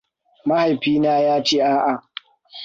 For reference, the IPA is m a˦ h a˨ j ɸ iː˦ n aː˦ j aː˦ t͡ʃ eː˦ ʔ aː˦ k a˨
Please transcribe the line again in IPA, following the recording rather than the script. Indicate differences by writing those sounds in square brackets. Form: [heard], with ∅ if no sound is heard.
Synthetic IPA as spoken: m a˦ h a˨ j ɸ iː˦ n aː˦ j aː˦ t͡ʃ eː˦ ʔ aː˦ [ʔ] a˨